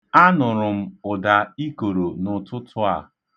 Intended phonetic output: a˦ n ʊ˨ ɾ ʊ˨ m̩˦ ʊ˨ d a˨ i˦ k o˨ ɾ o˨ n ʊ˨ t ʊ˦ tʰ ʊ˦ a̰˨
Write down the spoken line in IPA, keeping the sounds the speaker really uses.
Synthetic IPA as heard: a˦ n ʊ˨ ɾ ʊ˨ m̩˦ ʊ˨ d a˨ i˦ k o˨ ɾ o˨ n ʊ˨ t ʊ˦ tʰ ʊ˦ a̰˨